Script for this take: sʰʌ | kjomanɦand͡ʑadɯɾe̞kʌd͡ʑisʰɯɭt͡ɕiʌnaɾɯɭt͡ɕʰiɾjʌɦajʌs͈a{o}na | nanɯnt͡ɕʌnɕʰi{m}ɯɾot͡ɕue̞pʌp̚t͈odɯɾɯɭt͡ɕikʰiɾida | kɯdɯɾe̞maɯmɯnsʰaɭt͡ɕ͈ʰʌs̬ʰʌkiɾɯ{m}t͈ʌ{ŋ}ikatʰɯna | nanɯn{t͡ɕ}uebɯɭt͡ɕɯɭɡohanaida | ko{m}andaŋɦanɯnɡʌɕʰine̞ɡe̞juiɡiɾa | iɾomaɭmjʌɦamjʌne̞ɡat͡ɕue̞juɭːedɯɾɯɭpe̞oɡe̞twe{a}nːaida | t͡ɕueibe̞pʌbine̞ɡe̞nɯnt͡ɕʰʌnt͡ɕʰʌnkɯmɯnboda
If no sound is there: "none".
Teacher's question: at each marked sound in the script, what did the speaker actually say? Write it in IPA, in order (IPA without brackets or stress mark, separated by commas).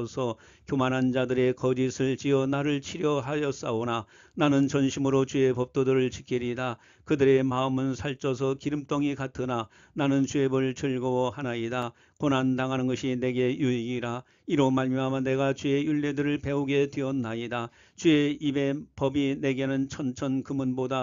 o, m, m, ŋ, t͡ɕ, n, ʌ